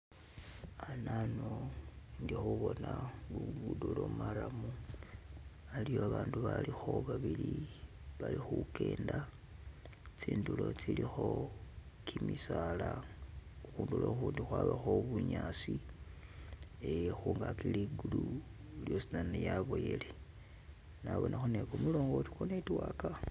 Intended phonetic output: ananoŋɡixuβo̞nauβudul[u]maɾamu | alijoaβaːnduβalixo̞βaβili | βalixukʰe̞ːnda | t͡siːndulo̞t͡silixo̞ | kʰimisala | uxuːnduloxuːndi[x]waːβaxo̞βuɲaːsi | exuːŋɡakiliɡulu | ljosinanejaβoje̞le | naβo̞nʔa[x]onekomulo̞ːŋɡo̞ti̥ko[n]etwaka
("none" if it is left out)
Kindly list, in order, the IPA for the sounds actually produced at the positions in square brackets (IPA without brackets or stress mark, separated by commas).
o, x, x, n